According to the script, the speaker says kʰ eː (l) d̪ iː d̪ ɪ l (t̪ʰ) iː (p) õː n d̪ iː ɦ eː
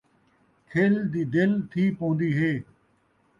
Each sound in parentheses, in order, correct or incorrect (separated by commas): correct, correct, correct